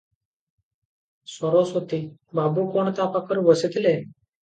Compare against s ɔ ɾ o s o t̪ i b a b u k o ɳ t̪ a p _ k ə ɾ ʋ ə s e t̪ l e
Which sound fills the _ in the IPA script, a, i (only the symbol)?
a